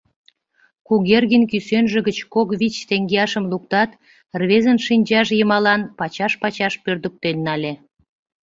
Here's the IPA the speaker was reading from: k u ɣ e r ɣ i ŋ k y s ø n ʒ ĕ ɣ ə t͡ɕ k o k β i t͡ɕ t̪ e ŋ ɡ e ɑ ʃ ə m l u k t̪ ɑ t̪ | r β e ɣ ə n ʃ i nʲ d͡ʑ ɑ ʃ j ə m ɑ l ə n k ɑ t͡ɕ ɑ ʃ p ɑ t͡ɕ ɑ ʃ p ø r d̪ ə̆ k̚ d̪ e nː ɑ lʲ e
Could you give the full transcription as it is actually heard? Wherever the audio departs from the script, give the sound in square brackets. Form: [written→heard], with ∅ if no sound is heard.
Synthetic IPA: k u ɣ e r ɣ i [ŋ→n] k y s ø n ʒ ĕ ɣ ə t͡ɕ k o k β i t͡ɕ t̪ e ŋ ɡ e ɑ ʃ ə m l u k t̪ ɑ t̪ | r β e [ɣ→z] ə n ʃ i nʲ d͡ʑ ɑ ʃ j ə m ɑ l [ə→ɑ] n [k→p] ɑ t͡ɕ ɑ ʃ p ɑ t͡ɕ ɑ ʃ p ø r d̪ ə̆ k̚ [d̪→t̪] e nː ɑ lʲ e